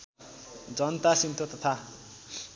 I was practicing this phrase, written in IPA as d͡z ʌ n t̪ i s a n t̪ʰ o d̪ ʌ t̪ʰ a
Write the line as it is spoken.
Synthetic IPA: d͡z ʌ n t̪ a s i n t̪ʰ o t̪ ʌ t̪ʰ a